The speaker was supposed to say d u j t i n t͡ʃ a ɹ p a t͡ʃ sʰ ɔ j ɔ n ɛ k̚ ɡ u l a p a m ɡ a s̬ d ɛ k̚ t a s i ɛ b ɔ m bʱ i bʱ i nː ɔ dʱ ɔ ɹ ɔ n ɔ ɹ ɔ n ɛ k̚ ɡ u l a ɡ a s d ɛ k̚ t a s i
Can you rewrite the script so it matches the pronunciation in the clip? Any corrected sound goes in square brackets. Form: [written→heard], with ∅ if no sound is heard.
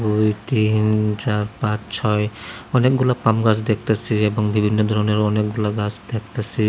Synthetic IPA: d u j t i n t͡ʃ a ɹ p a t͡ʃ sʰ ɔ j ɔ n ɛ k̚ ɡ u l a p a m ɡ a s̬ d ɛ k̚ t a s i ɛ b ɔ [m→ŋ] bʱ i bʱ i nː ɔ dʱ ɔ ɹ ɔ n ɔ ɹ ɔ n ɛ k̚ ɡ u l a ɡ a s d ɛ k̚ t a s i

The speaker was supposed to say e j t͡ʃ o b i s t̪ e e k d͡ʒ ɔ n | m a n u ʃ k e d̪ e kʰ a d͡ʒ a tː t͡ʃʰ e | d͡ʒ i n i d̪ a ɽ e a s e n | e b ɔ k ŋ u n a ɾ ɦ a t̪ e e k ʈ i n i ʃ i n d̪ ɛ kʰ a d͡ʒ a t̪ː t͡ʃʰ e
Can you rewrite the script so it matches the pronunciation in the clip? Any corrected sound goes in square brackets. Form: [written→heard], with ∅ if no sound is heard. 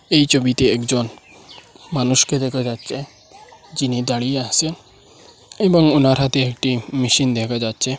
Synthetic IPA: e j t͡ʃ o b i [s→∅] t̪ e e k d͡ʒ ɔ n | m a n u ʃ k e d̪ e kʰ a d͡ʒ a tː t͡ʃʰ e | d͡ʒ i n i d̪ a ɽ [e→i] a s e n | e b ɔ [k→∅] ŋ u n a ɾ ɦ a t̪ e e k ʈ i [n→m] i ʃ i n d̪ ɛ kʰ a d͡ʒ a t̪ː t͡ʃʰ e

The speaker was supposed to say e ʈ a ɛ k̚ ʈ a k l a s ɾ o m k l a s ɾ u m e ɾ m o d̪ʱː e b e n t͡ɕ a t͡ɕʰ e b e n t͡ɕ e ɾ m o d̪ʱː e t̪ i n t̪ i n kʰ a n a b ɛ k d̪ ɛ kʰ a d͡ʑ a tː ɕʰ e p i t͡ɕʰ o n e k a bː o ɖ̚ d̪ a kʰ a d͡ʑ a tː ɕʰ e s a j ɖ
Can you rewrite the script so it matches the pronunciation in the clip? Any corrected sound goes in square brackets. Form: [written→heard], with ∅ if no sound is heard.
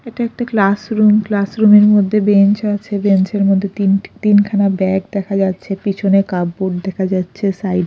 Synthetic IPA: e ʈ a ɛ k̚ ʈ a k l a s ɾ [o→u] m k l a s ɾ u m e ɾ m o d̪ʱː e b e n t͡ɕ a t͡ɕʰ e b e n t͡ɕ e ɾ m o d̪ʱː e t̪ i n t̪ i n kʰ a n a b ɛ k d̪ ɛ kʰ a d͡ʑ a tː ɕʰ e p i t͡ɕʰ o n e k a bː o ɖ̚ d̪ [a→ɛ] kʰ a d͡ʑ a tː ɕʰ e s a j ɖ

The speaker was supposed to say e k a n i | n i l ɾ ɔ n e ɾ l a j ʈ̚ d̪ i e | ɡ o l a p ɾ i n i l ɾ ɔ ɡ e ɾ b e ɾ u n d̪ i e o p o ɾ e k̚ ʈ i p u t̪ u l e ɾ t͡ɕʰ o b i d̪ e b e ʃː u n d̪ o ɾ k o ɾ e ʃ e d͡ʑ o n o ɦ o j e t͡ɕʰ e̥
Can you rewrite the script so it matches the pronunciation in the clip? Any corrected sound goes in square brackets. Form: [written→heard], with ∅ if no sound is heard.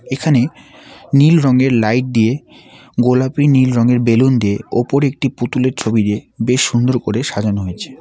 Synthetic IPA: e [k→kʰ] a n [i→e] | n i l ɾ ɔ [n→ŋ] e ɾ l a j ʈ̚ d̪ i e | ɡ o l a p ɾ i n i l ɾ ɔ [ɡ→ŋ] e ɾ b e [ɾ→l] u n d̪ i e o p o ɾ e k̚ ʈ i p u t̪ u l e ɾ t͡ɕʰ o b i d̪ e b e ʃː u n d̪ o ɾ k o ɾ e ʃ [e→a] d͡ʑ o n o ɦ o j e t͡ɕʰ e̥

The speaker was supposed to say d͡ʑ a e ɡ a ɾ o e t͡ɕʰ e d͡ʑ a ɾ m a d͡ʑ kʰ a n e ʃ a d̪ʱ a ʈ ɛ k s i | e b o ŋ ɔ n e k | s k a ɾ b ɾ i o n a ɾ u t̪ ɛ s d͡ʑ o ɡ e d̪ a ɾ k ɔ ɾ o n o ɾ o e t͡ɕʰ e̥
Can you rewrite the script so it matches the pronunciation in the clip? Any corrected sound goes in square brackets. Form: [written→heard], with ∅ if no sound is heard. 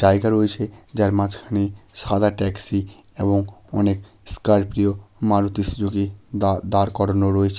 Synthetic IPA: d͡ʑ a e ɡ a ɾ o e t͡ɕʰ e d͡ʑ a ɾ m a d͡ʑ kʰ a n e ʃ a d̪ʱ a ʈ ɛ k s i | e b o ŋ ɔ n e k | s k a ɾ [b→p] ɾ i o [n→m] a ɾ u t̪ [ɛ→i] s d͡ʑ o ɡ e d̪ a ɾ k ɔ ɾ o n o ɾ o e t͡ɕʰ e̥

